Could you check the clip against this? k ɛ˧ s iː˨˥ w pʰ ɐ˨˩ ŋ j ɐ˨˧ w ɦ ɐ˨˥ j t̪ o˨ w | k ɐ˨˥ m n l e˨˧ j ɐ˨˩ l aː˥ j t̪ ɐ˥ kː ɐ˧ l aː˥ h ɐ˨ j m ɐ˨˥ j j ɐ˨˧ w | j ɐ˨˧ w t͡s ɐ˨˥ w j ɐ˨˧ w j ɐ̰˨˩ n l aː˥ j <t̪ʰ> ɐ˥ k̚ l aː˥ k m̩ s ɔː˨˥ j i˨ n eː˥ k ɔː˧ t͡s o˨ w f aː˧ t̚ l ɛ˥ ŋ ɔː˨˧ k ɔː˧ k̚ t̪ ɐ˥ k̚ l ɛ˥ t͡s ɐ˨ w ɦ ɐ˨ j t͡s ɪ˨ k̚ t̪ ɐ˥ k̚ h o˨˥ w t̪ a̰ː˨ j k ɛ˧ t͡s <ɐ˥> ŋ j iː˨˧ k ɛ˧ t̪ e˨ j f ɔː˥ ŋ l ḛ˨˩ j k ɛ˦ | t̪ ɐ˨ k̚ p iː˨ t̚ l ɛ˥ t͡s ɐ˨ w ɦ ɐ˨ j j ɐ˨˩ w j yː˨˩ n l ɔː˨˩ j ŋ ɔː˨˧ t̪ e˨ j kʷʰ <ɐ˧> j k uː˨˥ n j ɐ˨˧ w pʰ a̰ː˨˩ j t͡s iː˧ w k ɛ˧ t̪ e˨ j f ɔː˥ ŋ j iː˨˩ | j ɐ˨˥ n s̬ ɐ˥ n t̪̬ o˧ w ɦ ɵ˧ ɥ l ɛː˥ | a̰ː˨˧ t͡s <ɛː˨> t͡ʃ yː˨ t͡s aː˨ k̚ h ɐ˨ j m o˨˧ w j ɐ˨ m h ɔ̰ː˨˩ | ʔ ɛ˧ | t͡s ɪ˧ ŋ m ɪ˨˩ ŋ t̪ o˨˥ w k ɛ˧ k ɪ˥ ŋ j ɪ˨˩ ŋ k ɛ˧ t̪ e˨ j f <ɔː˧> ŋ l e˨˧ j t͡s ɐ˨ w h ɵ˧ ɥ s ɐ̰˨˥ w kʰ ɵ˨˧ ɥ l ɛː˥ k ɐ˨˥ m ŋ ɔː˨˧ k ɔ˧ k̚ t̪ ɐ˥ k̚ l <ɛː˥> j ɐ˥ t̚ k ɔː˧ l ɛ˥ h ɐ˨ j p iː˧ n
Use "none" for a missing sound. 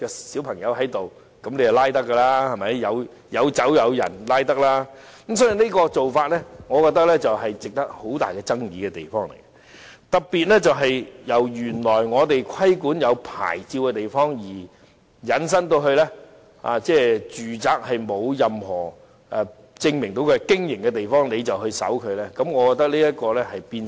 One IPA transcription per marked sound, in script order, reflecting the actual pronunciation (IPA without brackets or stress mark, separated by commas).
t̪, ɐ˥, ɐ˥, ɛː˥˩, ɔː˥, iː˥